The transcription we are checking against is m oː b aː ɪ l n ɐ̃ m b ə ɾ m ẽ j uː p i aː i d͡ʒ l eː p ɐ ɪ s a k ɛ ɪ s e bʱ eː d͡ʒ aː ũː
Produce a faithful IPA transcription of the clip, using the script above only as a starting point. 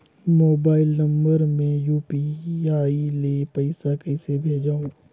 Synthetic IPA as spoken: m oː b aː ɪ l n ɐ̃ m b ə ɾ m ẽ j uː p i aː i l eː p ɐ ɪ s a k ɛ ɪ s e bʱ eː d͡ʒ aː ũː